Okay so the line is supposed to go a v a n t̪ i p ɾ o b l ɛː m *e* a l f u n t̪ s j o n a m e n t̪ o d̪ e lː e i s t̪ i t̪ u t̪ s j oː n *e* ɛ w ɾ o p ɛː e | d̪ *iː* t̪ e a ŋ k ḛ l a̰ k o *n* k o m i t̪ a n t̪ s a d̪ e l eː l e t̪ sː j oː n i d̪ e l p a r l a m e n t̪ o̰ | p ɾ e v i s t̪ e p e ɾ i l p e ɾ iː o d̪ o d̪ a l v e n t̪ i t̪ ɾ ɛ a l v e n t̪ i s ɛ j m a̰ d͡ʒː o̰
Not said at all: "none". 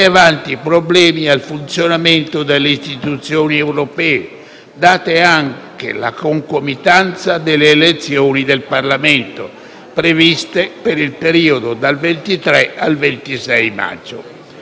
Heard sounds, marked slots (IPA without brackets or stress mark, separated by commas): i, i, aː, ŋ